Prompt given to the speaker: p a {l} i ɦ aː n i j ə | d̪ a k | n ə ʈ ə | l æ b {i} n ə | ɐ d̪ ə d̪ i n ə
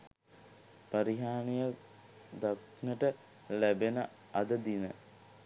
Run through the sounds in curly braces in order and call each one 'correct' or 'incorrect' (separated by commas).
incorrect, incorrect